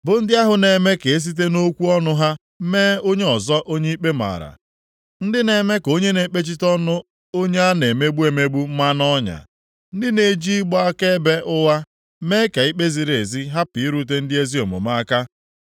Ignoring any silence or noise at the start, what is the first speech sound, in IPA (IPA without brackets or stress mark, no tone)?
b